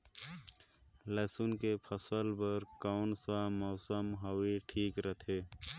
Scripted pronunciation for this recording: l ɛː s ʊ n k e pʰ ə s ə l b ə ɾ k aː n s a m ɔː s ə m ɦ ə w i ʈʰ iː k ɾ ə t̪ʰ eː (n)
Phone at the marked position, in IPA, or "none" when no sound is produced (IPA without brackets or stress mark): none